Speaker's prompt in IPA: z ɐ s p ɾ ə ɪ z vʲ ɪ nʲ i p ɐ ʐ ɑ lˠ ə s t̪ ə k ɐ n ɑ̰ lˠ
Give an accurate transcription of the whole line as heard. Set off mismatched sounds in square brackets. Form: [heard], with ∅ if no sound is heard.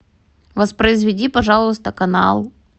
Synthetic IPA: [v] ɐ s p ɾ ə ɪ z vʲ ɪ [dʲ] i p ɐ ʐ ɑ lˠ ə s t̪ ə k ɐ n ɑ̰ lˠ